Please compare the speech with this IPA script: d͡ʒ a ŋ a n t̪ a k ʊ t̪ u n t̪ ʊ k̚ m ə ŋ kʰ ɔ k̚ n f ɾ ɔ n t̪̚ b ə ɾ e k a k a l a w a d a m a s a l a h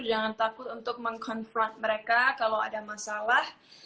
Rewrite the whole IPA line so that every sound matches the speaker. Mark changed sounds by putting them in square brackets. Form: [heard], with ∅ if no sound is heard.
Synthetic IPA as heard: d͡ʒ a ŋ a n t̪ a k ʊ t̪ u n t̪ ʊ k̚ m ə ŋ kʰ ɔ [∅] n f ɾ ɔ n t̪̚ [m] ə ɾ e k a k a l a w a d a m a s a l a h